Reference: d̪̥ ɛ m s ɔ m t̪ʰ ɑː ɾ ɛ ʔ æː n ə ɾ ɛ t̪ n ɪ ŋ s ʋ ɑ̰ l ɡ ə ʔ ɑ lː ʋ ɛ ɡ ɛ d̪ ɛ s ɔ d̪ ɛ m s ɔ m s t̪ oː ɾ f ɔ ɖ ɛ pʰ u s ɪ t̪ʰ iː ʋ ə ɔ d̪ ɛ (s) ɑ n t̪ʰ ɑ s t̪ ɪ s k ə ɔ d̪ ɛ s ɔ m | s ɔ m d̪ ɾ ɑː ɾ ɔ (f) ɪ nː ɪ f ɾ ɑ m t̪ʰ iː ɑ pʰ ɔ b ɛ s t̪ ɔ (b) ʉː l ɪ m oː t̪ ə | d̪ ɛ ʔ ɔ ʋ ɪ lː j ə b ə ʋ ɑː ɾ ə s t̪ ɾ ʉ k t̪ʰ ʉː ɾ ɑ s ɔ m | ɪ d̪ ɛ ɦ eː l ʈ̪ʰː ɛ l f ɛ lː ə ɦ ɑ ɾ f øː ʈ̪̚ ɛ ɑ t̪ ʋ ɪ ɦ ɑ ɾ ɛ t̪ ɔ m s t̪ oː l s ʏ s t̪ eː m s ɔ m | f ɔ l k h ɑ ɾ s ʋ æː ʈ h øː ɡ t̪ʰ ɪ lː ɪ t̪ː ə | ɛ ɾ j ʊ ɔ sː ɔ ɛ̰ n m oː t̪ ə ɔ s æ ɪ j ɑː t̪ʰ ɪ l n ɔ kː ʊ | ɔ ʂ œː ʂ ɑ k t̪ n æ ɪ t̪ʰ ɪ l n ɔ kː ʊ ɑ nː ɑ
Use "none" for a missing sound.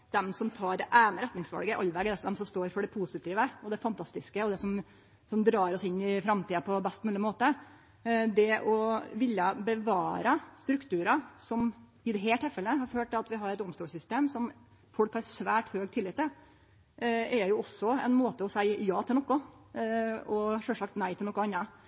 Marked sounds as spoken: f, s, m

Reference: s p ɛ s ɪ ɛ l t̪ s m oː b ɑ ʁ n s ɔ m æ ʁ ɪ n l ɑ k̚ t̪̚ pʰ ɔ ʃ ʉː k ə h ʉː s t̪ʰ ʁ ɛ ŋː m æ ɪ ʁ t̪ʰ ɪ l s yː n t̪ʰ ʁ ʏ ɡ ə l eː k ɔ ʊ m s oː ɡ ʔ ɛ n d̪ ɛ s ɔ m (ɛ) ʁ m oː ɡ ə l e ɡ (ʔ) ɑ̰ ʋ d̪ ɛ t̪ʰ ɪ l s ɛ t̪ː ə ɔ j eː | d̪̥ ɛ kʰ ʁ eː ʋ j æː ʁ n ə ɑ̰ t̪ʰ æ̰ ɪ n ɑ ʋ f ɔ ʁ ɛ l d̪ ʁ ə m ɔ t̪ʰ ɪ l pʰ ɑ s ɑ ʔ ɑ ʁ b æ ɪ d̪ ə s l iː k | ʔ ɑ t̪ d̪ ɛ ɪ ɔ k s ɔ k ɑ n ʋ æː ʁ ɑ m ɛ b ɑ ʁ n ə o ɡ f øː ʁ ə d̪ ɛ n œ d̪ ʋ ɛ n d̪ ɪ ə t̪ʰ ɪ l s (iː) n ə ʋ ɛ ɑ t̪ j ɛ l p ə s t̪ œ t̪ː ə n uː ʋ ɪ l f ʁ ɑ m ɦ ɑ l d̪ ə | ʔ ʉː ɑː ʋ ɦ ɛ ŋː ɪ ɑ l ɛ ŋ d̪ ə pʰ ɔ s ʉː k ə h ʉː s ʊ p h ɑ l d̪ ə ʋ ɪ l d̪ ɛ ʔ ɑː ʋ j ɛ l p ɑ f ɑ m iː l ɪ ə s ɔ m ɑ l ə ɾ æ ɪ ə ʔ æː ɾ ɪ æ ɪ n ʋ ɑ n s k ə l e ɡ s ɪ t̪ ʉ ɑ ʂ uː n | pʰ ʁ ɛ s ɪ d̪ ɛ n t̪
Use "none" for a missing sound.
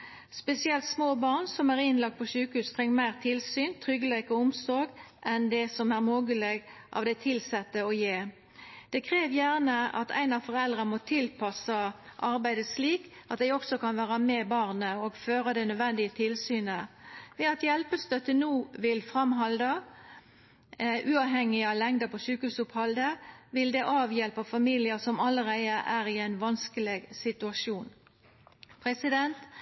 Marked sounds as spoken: æ, ʔ, yː

